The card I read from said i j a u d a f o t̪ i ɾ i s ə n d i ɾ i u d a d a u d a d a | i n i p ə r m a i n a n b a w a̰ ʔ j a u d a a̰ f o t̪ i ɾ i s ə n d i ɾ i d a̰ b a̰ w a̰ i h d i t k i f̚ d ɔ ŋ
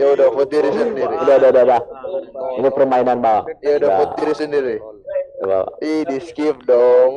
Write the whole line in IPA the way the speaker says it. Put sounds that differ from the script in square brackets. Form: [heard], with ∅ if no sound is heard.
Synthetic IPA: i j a u d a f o t̪ i ɾ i s ə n d i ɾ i u d a d a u d a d a | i n i p ə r m a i n a n b a w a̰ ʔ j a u d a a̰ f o t̪ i ɾ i s ə n d i ɾ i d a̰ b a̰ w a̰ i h d i [s] k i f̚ d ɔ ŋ